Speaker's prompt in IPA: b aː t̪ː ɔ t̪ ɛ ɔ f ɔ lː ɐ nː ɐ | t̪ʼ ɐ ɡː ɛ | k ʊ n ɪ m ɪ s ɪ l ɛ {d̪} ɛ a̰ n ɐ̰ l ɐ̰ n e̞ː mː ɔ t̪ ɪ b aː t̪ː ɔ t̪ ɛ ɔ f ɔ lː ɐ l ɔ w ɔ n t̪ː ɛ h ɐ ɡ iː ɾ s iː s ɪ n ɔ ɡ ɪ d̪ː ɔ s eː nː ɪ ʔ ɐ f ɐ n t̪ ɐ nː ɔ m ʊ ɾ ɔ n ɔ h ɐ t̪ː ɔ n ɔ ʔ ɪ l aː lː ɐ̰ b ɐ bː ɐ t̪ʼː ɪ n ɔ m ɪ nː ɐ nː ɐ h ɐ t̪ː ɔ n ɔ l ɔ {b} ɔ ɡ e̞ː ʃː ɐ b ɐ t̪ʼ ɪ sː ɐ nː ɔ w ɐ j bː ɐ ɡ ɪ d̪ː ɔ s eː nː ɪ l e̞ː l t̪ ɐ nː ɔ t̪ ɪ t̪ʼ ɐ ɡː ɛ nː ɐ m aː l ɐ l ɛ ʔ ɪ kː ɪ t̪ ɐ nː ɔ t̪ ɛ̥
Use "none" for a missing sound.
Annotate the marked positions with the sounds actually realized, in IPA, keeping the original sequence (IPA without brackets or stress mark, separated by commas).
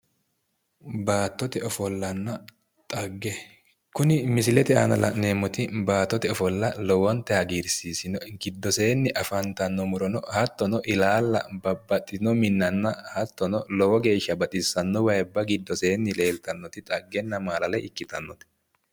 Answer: t̪, w